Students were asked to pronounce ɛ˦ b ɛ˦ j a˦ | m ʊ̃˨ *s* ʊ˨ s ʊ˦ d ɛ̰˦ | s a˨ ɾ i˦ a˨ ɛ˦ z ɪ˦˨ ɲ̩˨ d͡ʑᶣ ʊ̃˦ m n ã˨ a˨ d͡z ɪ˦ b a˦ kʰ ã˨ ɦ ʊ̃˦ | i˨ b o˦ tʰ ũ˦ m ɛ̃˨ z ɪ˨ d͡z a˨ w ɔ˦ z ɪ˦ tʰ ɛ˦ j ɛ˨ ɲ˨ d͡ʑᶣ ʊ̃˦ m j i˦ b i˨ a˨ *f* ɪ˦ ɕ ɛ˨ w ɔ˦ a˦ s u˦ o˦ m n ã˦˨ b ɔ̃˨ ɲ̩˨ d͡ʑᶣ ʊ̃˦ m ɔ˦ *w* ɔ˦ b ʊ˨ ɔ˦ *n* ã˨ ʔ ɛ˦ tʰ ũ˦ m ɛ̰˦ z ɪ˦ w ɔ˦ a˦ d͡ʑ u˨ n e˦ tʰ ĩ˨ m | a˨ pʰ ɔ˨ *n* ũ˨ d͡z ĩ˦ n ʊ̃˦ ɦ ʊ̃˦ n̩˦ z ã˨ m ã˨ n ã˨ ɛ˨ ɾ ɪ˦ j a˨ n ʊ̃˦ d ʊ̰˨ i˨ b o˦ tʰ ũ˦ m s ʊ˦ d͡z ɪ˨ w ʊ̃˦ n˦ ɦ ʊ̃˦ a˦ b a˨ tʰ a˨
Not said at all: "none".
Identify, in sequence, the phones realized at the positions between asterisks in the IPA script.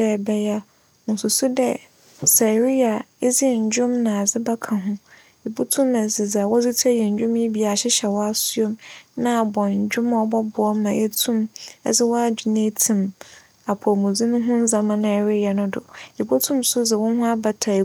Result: s, ɕ, b, m, m

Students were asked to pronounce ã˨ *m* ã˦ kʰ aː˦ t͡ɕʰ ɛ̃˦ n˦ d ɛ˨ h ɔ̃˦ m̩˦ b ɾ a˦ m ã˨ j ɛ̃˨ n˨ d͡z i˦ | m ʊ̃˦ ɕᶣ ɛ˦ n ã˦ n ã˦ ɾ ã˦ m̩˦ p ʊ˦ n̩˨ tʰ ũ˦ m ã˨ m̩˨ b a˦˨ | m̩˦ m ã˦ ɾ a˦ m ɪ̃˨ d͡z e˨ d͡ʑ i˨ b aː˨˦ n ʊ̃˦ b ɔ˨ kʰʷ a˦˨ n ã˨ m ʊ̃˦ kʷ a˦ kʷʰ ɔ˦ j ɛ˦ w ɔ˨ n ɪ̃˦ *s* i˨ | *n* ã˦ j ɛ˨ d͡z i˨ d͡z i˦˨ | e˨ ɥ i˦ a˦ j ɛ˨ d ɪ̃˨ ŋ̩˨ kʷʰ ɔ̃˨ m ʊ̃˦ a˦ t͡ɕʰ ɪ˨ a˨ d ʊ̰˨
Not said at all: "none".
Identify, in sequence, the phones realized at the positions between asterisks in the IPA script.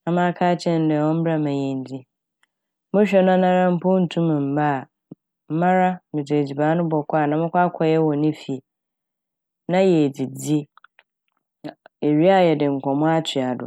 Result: m, f, n

